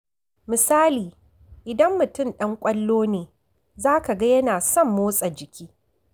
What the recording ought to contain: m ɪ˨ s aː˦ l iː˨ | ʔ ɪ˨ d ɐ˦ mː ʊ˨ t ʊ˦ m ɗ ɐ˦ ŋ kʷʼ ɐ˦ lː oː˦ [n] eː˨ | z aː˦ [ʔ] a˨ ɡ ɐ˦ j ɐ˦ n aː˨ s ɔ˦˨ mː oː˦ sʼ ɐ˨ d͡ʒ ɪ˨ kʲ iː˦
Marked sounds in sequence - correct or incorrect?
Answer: correct, incorrect: k

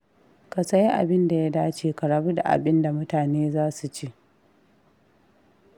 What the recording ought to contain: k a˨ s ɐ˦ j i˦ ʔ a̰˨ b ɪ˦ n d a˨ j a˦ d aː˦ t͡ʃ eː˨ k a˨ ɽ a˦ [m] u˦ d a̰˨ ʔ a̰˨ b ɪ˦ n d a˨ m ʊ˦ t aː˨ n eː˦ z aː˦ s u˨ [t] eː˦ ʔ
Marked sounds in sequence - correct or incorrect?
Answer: incorrect: b, incorrect: t͡ʃ

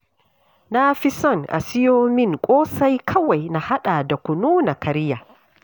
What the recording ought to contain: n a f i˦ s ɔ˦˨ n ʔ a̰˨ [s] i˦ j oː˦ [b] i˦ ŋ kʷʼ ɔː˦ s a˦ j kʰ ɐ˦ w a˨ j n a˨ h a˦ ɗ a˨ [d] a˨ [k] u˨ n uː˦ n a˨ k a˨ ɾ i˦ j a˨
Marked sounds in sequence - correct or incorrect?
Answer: correct, incorrect: m, correct, correct

